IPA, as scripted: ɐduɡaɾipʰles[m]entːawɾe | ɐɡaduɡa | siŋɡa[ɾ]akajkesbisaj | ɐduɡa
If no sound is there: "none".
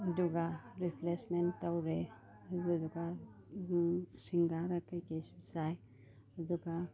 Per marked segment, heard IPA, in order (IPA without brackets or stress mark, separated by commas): m, ɾ